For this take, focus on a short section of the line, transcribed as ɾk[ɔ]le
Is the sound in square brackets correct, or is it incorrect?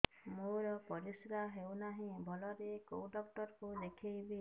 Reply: incorrect